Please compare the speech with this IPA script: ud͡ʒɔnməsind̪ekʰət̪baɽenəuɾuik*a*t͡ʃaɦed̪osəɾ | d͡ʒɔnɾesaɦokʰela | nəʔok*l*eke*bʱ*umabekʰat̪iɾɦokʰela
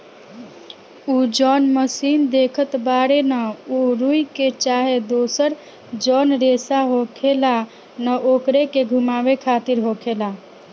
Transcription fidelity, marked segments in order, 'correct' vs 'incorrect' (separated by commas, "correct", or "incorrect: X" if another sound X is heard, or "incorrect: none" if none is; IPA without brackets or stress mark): incorrect: e, incorrect: ɾ, incorrect: ɡʱ